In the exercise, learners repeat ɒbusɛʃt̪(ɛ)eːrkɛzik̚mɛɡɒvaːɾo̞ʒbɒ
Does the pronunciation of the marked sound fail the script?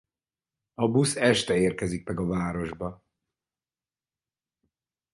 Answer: no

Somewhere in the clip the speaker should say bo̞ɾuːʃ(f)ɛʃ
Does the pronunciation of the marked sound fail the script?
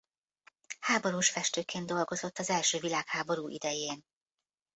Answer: no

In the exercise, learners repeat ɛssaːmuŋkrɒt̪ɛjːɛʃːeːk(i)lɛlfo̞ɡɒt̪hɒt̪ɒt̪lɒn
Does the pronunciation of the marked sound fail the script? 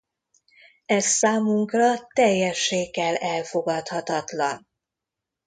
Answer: yes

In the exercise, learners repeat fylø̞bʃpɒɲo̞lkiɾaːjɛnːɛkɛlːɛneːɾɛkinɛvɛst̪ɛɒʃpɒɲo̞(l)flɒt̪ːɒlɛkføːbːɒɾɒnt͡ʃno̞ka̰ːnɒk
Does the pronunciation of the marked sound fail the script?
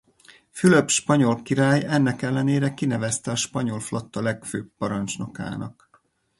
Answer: no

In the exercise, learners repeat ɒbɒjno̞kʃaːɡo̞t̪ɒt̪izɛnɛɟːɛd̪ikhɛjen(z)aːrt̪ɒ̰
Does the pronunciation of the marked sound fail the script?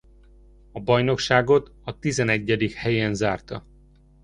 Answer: no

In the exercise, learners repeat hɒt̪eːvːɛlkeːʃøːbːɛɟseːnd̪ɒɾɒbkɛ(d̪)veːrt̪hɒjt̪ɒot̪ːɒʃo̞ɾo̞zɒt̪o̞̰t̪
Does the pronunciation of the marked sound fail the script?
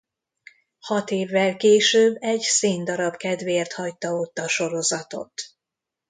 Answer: no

